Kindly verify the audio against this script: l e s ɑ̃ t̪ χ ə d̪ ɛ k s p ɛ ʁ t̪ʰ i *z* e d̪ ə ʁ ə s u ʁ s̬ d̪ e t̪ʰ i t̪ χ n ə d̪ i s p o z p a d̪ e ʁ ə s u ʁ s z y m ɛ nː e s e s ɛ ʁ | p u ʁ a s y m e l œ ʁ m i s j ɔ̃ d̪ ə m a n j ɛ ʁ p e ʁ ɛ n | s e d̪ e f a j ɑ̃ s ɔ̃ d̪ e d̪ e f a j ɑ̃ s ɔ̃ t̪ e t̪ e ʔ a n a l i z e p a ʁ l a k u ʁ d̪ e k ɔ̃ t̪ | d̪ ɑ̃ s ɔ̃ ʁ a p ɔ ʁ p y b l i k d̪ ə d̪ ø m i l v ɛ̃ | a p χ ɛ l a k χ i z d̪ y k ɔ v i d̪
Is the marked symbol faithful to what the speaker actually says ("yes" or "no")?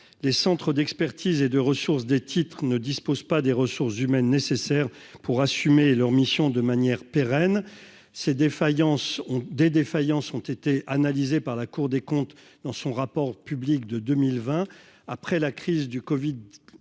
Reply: yes